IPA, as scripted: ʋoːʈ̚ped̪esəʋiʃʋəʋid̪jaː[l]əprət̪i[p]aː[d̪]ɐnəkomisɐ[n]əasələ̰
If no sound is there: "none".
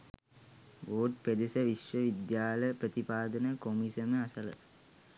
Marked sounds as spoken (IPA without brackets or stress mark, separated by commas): l, p, d̪, m